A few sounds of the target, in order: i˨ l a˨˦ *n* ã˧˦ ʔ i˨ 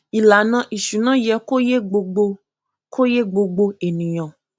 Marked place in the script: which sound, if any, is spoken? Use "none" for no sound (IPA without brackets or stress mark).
n